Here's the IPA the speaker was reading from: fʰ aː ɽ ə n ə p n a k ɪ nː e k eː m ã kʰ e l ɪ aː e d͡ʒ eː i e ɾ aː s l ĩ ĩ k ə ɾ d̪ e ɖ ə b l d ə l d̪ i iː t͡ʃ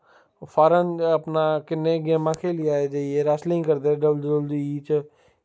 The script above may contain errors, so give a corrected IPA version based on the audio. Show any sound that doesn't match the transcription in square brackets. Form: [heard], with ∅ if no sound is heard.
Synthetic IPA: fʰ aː [ɾ] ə n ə p n a k ɪ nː e [ɡ] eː m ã kʰ e l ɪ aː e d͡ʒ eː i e ɾ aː s l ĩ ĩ k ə ɾ d̪ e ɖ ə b l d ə l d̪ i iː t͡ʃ

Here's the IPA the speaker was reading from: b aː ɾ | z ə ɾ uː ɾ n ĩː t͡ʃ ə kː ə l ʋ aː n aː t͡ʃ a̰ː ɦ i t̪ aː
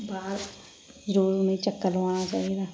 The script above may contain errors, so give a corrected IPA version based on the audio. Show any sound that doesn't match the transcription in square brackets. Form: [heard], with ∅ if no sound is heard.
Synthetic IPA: b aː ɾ | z ə ɾ uː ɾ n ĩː t͡ʃ ə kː ə l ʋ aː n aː t͡ʃ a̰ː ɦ i [d̪] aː

